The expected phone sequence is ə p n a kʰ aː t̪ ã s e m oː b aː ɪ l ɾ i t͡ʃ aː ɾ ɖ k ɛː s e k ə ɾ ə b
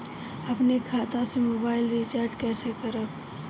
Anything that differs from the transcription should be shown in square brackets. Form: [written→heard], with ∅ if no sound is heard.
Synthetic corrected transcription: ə p n [a→e] kʰ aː t̪ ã s e m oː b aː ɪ l ɾ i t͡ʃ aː ɾ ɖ k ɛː s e k ə ɾ ə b